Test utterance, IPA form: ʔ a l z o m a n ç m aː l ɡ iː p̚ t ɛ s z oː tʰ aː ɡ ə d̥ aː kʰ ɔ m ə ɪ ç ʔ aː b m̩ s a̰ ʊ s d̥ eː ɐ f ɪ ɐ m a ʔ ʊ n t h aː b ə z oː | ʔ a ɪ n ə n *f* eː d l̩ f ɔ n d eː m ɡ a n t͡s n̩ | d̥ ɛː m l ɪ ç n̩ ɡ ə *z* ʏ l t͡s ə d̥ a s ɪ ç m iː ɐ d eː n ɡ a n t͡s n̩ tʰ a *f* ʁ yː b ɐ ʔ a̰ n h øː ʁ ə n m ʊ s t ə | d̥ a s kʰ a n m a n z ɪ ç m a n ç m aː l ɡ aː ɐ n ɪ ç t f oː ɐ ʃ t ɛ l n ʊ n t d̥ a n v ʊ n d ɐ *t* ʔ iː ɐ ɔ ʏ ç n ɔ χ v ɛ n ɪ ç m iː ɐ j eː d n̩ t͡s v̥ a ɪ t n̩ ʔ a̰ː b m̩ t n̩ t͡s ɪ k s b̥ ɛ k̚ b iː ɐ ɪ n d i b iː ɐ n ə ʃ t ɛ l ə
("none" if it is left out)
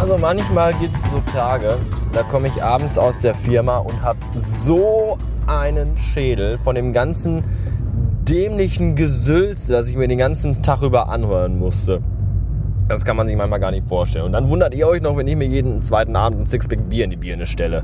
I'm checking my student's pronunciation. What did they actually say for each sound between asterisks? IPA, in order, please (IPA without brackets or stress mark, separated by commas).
ʃ, z, χ, t